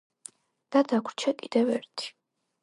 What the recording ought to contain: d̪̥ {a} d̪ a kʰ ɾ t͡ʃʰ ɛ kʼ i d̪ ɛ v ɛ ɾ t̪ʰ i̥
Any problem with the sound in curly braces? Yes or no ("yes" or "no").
no